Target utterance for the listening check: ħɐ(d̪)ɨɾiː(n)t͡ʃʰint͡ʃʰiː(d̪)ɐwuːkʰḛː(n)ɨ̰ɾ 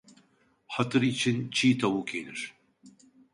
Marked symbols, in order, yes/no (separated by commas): no, no, no, yes